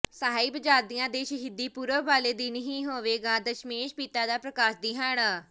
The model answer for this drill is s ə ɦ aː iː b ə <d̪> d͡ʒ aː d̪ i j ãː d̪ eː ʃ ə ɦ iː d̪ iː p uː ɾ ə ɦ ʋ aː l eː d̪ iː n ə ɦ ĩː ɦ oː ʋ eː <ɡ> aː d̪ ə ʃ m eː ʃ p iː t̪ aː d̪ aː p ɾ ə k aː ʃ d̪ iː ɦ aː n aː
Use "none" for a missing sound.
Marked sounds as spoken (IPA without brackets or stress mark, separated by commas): none, ɡ